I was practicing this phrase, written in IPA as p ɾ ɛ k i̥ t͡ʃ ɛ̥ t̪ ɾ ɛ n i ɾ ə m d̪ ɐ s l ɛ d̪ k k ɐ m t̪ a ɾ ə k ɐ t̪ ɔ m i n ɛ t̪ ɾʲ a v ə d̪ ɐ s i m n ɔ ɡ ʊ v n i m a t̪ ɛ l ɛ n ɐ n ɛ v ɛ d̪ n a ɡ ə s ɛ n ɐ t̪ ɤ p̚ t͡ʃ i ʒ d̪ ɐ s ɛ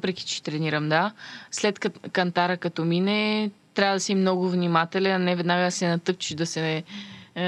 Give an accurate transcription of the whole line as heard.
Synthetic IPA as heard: p ɾ ɛ k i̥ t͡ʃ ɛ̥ t̪ ɾ ɛ n i ɾ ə m d̪ a s l ɛ t̪ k k ɐ n t̪ a ɾ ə k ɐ t̪ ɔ m i n ɛ t̪ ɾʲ a v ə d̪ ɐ s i m n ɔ ɡ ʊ v n i m a t̪ ɛ l ɛ n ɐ n ɛ v ɛ d̪ n a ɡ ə s ɛ n ɐ t̪ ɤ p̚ t͡ʃ i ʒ d̪ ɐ s ɛ